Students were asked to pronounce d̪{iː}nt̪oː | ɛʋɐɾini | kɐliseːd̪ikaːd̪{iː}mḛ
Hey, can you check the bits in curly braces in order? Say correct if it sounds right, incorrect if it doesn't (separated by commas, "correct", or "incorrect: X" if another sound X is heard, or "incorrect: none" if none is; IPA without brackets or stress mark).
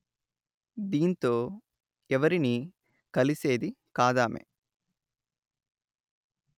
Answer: correct, incorrect: aː